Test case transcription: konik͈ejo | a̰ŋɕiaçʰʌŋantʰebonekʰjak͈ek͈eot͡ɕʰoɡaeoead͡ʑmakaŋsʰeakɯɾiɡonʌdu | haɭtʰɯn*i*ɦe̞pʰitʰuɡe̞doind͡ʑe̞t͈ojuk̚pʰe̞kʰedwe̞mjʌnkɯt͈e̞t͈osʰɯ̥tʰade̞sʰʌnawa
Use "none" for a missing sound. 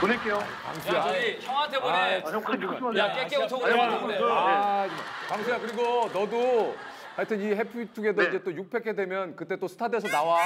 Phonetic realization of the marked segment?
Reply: i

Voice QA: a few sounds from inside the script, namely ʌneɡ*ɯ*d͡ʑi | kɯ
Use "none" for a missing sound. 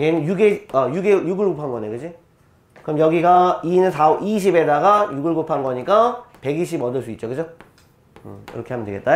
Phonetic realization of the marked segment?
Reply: ɯ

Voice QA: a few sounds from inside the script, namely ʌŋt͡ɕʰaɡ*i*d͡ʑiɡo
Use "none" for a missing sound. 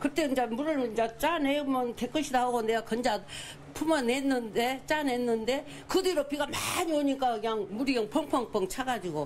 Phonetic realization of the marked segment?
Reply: a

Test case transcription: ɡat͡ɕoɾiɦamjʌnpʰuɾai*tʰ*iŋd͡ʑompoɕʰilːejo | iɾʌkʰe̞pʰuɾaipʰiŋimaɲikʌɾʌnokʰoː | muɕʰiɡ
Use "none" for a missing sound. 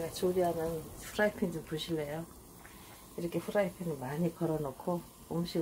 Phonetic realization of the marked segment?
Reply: pʰ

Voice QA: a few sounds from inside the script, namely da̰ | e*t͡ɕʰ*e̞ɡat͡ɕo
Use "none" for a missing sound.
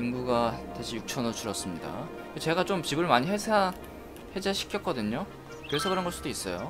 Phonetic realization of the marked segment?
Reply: t͡ɕ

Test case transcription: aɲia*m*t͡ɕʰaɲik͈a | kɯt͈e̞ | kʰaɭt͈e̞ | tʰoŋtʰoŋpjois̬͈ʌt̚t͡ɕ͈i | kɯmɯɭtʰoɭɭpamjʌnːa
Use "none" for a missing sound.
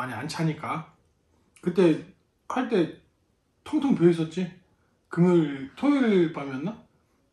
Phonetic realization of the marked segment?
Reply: n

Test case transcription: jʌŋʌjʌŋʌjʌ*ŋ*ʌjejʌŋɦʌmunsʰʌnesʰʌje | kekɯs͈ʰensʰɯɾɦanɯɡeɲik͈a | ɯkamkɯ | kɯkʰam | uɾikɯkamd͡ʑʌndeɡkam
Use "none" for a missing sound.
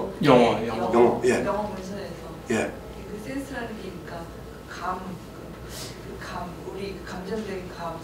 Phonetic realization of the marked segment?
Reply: ŋ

